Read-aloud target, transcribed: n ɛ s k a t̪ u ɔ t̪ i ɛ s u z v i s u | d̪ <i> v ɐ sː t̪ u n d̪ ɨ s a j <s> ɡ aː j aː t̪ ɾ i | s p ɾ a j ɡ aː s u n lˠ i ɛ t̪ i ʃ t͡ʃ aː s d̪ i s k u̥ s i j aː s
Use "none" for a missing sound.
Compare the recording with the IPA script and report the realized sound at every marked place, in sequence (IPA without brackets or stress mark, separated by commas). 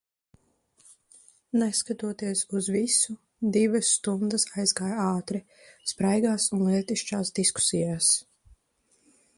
i, z